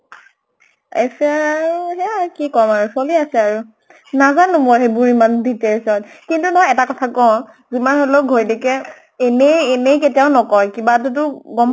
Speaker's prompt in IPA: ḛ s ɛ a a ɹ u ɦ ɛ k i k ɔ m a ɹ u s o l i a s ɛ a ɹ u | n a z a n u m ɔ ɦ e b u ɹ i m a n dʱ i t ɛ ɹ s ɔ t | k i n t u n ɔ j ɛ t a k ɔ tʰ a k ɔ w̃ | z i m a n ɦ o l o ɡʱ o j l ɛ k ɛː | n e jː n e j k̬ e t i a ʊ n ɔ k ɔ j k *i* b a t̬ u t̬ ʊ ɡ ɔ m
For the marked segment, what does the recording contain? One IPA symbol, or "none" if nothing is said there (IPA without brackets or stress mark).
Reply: i